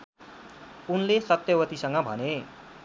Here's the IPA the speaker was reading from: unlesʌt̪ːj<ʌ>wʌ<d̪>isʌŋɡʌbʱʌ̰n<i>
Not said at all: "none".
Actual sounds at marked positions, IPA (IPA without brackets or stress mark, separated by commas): ʌ, t̪, e